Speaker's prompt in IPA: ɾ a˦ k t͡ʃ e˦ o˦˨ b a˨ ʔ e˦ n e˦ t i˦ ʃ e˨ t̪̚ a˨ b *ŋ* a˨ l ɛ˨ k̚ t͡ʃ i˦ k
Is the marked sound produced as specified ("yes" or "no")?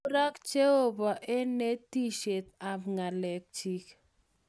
yes